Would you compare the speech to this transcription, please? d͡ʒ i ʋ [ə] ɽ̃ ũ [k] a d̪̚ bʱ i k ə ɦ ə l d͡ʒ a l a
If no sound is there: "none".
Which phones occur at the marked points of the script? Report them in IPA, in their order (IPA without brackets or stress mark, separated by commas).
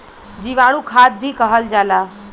a, kʰ